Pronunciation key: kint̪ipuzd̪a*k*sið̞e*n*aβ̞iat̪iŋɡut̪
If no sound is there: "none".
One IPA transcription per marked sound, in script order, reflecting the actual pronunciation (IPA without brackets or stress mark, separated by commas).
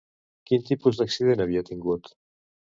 k, n